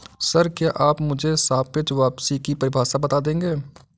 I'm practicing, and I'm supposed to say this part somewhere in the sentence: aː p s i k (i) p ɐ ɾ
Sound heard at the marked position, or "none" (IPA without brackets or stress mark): i